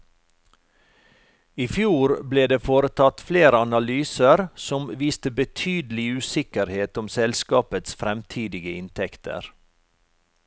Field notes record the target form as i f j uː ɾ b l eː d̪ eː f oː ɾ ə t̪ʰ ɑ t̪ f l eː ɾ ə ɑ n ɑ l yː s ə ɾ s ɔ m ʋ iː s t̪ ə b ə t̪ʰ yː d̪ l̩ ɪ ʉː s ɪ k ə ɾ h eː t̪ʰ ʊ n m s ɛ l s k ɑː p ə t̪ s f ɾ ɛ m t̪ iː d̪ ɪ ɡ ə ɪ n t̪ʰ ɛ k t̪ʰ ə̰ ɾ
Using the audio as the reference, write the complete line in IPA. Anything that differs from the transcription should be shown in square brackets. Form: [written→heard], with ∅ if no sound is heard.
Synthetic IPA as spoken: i f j uː ɾ b l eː d̪ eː f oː ɾ ə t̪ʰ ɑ t̪ f l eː ɾ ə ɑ n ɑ l yː s ə ɾ s ɔ m ʋ iː s t̪ ə b ə t̪ʰ yː d̪ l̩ ɪ ʉː s ɪ k ə ɾ h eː [t̪ʰ→t̪] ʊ [n→∅] m s ɛ l s k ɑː p ə t̪ s f ɾ ɛ m [t̪→t̪ʰ] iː d̪ ɪ ɡ ə ɪ n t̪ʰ ɛ k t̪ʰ ə̰ ɾ